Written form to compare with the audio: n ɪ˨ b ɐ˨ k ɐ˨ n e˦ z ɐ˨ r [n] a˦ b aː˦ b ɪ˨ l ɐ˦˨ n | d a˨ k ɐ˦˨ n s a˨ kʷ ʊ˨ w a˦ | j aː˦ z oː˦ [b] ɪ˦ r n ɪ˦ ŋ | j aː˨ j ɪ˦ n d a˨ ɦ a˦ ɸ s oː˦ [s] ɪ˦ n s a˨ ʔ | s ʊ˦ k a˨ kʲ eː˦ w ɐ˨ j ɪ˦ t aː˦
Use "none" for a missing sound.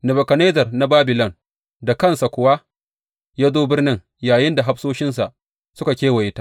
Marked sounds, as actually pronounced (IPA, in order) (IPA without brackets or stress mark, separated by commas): n, b, ʃ